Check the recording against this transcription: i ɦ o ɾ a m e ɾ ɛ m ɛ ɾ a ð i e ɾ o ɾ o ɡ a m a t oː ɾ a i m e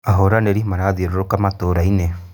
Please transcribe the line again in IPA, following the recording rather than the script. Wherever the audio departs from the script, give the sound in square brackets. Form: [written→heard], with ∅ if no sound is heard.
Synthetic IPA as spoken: [i→a] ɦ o ɾ a [m→n] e ɾ [ɛ→i] m [ɛ→a] ɾ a ð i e ɾ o ɾ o [ɡ→k] a m a t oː ɾ a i [m→n] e